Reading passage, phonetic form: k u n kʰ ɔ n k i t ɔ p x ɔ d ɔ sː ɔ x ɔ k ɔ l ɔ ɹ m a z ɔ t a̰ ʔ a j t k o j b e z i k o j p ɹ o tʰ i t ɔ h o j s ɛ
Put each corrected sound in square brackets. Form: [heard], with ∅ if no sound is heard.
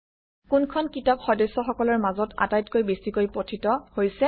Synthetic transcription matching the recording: k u n kʰ ɔ n k i t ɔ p x ɔ d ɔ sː ɔ x ɔ k ɔ l ɔ ɹ m a z ɔ t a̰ [t] a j t k o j b e [s] i k o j p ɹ o tʰ i t ɔ h o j s ɛ